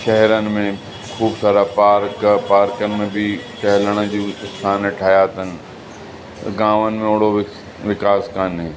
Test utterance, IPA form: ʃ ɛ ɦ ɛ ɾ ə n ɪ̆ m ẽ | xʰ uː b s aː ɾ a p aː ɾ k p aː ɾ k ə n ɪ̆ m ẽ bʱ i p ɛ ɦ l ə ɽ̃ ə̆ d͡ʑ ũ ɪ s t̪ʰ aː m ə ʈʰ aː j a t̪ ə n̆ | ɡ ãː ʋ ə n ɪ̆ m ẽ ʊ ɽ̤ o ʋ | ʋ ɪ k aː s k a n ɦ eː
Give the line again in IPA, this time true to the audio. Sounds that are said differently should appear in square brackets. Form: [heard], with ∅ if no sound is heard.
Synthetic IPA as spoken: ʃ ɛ ɦ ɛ ɾ ə n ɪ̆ m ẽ | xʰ uː b s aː ɾ a p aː ɾ k p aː ɾ k ə n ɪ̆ m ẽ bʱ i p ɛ ɦ l ə ɽ̃ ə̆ d͡ʑ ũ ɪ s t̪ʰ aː [n] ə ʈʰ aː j a t̪ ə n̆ | ɡ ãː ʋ ə n ɪ̆ m ẽ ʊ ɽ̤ o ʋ | ʋ ɪ k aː s k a n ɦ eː